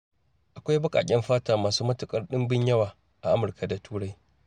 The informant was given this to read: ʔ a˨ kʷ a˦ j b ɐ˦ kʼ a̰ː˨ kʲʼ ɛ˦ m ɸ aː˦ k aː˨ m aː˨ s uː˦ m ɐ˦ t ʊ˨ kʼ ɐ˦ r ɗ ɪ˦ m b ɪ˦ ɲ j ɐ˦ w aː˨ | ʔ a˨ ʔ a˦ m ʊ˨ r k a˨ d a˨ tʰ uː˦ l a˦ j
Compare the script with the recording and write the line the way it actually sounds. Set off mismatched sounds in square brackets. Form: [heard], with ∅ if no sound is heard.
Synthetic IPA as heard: ʔ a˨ kʷ a˦ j b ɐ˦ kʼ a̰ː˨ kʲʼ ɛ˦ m ɸ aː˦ [t] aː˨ m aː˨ s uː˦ m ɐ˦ t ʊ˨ kʼ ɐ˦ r ɗ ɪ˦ m b ɪ˦ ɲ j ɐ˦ w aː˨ | ʔ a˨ ʔ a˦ m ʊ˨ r k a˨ d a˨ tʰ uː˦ [ɽ] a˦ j